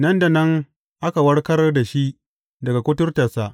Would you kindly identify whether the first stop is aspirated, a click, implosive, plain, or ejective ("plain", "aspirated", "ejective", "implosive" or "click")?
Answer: plain